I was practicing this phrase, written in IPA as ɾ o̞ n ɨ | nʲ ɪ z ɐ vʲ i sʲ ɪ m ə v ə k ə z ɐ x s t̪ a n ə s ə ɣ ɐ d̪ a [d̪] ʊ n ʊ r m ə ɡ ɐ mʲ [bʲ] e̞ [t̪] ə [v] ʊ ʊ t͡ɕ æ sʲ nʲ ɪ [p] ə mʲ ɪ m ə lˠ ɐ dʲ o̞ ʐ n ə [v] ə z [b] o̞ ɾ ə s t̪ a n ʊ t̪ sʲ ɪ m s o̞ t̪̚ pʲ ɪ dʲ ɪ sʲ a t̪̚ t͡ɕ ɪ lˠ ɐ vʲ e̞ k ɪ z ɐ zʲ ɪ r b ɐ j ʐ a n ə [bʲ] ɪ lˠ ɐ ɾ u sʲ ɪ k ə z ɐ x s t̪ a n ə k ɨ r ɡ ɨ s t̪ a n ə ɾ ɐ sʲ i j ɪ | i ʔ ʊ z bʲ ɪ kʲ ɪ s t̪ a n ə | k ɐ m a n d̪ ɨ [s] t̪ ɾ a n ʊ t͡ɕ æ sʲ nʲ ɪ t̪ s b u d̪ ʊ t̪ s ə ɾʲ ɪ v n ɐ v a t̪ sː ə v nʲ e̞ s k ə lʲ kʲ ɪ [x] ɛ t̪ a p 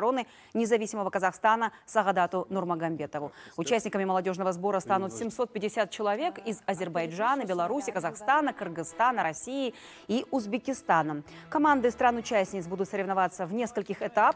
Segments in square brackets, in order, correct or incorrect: incorrect: t̪, correct, correct, correct, incorrect: k, correct, correct, correct, correct, correct

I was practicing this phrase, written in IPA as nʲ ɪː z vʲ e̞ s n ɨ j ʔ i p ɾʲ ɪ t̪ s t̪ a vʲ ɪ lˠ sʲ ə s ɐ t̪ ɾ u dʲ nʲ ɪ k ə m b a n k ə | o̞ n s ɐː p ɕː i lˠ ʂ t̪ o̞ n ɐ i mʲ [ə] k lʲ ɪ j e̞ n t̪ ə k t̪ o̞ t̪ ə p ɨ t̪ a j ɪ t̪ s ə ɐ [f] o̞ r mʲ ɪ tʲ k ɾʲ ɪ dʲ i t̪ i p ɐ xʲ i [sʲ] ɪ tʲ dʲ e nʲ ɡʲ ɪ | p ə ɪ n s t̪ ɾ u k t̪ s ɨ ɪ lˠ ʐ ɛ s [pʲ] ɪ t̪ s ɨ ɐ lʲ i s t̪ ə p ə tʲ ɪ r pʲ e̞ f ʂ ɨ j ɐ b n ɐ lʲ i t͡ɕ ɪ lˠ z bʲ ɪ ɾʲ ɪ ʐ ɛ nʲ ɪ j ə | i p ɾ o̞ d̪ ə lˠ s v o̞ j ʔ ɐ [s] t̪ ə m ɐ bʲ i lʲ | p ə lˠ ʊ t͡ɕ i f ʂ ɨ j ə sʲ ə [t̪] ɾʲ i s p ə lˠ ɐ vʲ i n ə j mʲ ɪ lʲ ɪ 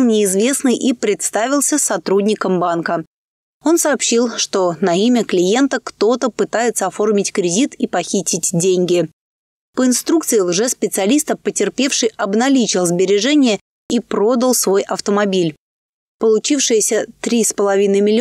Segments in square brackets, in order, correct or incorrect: correct, correct, incorrect: tʲ, correct, incorrect: f, correct

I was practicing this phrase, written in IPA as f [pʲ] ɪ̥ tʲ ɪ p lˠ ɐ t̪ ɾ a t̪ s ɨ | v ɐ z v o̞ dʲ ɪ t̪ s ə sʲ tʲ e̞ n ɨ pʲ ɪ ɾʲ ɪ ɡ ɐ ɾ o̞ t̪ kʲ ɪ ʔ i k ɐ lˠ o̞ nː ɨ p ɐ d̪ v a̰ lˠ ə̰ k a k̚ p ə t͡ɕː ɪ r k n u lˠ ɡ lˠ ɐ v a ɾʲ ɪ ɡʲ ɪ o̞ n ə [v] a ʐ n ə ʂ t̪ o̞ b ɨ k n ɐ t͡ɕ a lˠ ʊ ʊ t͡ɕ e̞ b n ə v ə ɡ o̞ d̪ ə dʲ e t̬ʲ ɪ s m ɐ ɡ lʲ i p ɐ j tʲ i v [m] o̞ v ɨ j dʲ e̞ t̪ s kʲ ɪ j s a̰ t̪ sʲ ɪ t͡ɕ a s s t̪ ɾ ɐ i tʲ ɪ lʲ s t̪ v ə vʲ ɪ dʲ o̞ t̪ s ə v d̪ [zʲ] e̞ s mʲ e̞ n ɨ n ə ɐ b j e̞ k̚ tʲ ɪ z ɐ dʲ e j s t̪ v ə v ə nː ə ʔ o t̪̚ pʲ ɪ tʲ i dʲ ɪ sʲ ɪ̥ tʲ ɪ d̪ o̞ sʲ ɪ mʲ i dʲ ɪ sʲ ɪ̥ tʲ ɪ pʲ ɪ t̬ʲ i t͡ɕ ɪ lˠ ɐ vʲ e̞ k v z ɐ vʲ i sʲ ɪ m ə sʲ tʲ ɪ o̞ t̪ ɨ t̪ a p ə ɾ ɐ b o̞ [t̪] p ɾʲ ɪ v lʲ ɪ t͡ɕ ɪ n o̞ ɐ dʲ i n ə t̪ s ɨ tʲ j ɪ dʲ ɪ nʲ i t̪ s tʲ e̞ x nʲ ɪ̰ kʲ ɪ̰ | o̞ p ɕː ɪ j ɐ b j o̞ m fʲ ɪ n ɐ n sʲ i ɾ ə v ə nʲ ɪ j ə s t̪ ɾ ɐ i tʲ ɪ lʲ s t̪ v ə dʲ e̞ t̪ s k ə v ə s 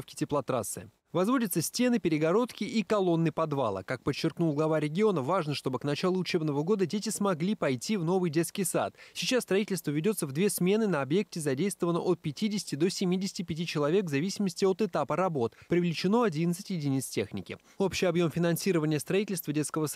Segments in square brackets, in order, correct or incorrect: incorrect: kʲ, correct, incorrect: n, incorrect: vʲ, correct

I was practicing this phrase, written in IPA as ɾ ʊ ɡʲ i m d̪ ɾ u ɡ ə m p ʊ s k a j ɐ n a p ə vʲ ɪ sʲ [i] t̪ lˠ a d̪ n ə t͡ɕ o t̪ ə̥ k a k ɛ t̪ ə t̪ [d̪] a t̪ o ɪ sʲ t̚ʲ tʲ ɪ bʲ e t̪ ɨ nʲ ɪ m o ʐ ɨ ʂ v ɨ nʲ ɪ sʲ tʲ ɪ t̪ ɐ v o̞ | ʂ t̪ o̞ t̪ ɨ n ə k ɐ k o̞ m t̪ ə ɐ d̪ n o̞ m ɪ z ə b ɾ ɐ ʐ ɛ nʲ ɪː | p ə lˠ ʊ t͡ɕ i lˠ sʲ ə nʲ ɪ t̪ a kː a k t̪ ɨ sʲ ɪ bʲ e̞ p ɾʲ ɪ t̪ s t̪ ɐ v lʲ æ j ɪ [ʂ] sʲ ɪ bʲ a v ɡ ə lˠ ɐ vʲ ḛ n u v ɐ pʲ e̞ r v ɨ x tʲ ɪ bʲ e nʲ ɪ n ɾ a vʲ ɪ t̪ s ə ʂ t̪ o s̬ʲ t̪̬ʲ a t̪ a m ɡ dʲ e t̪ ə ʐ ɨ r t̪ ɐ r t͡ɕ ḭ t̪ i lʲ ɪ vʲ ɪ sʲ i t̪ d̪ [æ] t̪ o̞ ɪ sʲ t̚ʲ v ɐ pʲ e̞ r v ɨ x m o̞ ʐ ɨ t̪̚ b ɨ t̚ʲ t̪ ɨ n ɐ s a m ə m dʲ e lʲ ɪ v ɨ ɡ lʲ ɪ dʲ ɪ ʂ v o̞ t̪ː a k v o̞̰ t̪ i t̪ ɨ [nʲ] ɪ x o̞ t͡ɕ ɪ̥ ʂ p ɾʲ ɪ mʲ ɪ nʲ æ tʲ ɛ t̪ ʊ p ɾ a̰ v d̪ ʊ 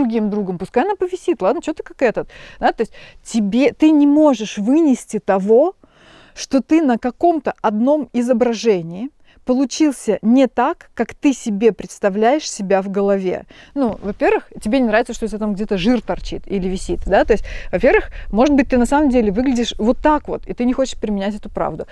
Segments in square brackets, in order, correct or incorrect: correct, correct, correct, incorrect: a, correct

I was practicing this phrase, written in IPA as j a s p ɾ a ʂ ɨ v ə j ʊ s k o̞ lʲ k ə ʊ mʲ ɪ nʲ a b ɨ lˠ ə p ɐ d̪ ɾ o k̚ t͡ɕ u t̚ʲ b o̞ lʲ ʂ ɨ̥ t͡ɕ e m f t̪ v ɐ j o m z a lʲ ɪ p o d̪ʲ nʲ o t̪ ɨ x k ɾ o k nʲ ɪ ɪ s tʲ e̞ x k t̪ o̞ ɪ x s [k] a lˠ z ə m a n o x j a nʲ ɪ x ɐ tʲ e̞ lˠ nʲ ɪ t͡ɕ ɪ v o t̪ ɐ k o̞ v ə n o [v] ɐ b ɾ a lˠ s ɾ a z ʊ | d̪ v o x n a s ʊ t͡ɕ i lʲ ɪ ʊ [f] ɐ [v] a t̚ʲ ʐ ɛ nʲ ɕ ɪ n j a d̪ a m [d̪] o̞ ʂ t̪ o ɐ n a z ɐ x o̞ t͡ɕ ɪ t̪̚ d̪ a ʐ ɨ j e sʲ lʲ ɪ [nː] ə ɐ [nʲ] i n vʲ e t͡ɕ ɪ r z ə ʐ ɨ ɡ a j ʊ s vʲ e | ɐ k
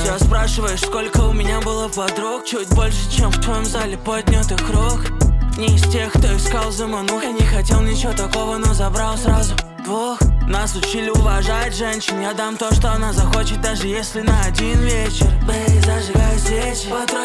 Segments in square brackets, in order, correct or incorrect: correct, incorrect: z, incorrect: v, incorrect: ʐ, incorrect: t̪, incorrect: n, incorrect: dʲ

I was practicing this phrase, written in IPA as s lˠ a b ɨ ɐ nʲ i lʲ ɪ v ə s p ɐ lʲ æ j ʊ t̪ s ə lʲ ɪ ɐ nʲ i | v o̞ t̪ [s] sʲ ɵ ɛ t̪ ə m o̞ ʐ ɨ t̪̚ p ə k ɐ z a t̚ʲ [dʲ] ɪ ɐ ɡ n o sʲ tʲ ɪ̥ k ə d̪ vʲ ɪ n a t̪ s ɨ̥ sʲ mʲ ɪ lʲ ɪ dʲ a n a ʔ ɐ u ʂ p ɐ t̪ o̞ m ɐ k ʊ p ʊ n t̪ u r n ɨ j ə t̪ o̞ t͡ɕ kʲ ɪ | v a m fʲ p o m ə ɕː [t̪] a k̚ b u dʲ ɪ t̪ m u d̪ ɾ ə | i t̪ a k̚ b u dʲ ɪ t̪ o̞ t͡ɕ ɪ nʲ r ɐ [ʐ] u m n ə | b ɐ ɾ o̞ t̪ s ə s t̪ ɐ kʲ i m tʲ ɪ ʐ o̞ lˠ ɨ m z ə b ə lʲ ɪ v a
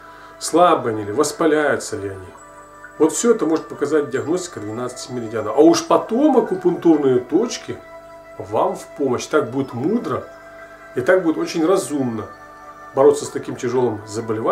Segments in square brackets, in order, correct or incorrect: incorrect: f, correct, correct, incorrect: z

